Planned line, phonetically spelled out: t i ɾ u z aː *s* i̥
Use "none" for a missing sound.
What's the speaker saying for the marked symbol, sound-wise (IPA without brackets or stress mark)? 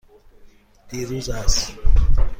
s